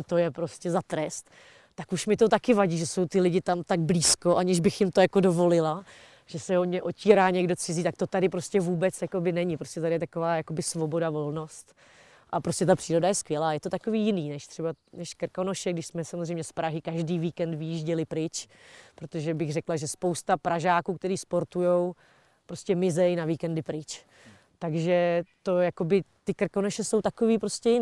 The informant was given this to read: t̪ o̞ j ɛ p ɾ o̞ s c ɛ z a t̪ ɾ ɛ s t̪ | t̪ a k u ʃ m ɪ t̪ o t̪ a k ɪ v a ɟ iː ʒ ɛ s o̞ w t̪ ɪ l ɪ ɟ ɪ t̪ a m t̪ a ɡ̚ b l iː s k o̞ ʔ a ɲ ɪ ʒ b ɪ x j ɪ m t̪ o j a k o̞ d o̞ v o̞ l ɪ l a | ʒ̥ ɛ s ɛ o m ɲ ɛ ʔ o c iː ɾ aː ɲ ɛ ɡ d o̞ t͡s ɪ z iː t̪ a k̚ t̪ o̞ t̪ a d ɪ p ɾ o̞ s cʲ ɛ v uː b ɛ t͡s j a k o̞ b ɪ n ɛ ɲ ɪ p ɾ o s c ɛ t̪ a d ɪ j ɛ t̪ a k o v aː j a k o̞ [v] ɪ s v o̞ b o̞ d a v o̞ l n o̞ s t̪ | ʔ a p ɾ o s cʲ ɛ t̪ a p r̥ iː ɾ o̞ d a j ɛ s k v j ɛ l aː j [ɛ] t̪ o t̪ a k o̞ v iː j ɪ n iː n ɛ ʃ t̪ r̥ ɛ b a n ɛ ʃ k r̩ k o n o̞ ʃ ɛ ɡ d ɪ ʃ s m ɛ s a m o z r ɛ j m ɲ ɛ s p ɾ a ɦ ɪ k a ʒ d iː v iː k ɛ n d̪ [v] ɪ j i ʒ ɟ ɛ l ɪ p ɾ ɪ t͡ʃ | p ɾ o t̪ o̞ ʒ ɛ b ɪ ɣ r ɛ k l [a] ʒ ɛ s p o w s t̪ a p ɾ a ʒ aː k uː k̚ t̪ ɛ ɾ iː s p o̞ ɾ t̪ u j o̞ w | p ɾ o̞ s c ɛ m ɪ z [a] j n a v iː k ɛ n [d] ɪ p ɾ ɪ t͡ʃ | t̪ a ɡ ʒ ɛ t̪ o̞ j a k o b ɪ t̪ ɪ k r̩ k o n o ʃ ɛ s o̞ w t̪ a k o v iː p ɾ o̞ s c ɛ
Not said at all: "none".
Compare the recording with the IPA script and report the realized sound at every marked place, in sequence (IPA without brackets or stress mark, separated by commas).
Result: b, ɛ, v, a, ɛ, d